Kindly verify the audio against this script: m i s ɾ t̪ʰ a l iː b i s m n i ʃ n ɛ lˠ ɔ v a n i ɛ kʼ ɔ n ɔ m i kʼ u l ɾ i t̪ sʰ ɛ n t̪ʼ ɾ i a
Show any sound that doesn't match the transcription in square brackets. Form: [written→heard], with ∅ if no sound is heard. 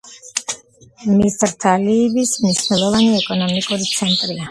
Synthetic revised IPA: m i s ɾ t̪ʰ a l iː b i s m n i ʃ n ɛ lˠ ɔ v a n i ɛ kʼ ɔ n ɔ m i kʼ u [l→∅] ɾ i t̪ sʰ ɛ n t̪ʼ ɾ i a